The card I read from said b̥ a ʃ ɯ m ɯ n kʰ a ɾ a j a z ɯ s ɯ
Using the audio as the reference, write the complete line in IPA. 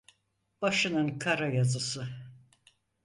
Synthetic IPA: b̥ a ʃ ɯ n ɯ n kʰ a ɾ a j a z ɯ s ɯ